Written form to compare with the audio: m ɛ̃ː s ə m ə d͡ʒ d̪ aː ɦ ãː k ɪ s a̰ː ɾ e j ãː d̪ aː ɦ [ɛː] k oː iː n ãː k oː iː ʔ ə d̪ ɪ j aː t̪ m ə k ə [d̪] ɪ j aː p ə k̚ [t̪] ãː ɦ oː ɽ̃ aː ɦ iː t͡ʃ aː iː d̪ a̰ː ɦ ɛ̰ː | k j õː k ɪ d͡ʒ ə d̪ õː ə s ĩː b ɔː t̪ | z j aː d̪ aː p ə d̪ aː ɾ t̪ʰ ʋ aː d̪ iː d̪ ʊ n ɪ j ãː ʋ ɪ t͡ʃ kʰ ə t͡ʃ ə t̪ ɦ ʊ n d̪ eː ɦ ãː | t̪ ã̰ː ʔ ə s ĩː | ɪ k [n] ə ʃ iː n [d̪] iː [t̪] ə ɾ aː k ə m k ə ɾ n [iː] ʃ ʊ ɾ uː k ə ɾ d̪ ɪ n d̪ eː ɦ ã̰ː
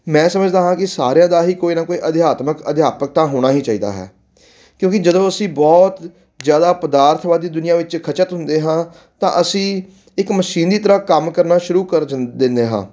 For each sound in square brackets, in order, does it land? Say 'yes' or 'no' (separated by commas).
no, yes, yes, no, yes, yes, no